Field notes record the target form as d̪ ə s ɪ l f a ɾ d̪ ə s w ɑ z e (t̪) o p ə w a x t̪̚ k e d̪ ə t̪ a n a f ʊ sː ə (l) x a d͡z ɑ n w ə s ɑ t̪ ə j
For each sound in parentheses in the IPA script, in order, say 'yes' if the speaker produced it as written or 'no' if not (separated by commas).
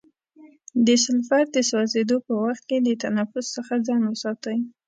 no, no